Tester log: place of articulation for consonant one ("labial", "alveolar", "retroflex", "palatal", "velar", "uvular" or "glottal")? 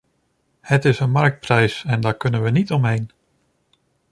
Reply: glottal